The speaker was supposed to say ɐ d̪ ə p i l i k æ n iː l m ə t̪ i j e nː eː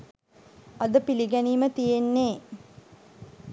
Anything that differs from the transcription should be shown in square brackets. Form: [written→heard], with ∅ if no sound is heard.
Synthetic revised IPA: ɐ d̪ ə p i l i [k→ɡ] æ n iː [l→∅] m ə t̪ i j e nː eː